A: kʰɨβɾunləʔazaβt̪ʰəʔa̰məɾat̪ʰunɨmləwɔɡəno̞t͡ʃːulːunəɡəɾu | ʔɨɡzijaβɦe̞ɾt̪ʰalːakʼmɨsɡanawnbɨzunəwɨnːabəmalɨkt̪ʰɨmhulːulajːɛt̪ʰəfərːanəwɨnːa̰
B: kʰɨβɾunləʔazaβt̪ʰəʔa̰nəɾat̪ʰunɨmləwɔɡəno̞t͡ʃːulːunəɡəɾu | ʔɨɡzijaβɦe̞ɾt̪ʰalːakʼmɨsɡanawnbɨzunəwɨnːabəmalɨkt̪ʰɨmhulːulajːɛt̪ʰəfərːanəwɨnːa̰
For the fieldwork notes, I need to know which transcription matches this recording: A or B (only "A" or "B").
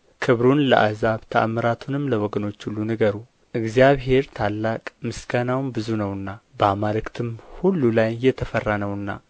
A